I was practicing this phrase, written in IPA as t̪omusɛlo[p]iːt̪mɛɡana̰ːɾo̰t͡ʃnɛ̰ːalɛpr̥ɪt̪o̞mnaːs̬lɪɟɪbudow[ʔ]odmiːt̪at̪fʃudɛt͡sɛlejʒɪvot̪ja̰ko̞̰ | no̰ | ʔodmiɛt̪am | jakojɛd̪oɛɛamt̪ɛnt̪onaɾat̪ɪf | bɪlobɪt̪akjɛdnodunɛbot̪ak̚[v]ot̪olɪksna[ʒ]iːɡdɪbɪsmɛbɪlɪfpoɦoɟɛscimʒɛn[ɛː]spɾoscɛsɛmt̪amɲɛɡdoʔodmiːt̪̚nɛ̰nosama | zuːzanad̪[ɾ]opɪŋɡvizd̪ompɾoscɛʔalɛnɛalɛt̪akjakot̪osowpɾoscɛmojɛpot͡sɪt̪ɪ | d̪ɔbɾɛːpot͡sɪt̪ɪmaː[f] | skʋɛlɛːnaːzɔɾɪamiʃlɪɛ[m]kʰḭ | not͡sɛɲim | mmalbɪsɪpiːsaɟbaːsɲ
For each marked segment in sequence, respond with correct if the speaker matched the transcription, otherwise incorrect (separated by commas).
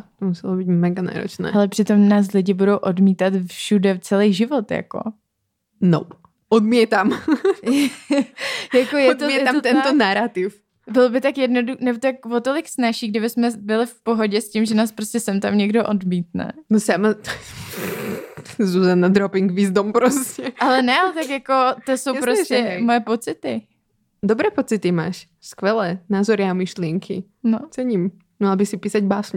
incorrect, correct, correct, incorrect, incorrect, correct, incorrect, incorrect